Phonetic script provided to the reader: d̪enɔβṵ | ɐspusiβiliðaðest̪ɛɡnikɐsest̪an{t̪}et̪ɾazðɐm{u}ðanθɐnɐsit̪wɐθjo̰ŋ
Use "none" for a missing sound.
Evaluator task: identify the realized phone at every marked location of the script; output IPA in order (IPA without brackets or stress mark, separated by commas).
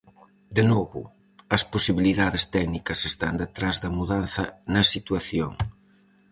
d̪, u